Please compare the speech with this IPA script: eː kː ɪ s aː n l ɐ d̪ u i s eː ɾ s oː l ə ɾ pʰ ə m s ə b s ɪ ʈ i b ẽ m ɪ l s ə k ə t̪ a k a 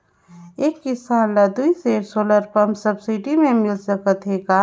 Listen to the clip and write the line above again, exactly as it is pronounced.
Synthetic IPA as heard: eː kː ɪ s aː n l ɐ d̪ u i s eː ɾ s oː l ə ɾ p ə m s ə b s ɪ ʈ i m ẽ m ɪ l s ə k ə t̪ e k a